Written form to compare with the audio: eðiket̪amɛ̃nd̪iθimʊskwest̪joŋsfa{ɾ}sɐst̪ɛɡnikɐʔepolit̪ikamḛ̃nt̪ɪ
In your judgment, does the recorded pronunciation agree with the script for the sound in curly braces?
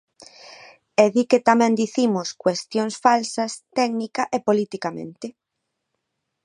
no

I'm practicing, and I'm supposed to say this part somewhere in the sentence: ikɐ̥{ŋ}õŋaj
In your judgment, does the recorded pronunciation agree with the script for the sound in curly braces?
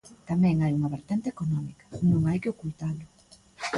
no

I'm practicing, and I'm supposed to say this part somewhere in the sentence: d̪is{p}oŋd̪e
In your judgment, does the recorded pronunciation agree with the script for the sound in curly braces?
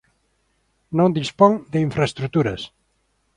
yes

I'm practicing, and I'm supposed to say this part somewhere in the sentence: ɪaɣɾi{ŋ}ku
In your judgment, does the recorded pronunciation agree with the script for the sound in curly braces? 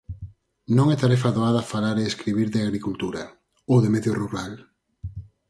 no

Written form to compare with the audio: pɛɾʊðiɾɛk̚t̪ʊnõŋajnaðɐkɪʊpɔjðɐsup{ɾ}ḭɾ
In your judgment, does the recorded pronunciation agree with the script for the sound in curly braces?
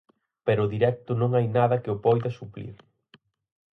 no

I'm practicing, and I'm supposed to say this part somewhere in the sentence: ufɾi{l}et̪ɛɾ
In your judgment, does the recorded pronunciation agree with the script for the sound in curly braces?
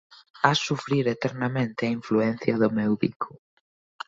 no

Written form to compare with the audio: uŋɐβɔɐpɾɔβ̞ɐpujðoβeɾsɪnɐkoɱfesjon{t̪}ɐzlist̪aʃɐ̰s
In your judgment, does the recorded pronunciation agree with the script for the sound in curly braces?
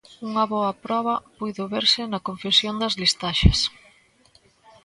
no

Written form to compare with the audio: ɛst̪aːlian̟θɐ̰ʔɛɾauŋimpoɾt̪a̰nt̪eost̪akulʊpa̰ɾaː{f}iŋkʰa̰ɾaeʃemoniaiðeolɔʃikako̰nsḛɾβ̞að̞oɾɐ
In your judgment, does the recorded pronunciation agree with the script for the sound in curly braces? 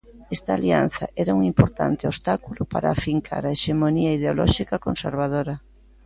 yes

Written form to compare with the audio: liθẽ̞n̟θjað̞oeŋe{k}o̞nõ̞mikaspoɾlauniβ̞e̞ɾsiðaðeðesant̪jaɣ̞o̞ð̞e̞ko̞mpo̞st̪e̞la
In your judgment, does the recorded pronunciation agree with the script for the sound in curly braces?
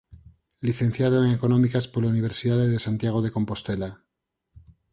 yes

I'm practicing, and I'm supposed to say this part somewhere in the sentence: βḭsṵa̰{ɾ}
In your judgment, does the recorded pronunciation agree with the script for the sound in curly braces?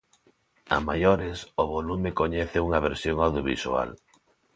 no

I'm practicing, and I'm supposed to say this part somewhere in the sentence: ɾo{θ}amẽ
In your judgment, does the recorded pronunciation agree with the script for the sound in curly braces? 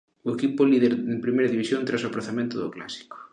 yes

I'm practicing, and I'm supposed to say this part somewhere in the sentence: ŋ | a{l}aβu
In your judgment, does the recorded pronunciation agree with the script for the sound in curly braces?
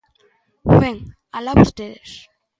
yes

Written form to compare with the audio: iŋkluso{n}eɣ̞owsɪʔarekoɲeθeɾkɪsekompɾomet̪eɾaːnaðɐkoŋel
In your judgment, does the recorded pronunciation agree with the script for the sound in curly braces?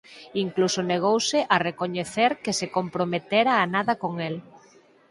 yes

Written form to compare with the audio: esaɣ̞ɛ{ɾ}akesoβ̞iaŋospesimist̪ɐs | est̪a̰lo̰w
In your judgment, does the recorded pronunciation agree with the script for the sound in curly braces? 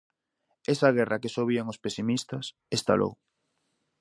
no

